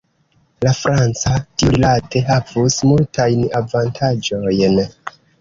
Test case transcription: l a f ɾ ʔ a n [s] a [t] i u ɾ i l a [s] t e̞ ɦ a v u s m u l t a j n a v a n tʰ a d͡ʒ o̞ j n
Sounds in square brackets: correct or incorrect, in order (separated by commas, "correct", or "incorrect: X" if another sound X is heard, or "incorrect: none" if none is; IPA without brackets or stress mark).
incorrect: t͡s, correct, incorrect: none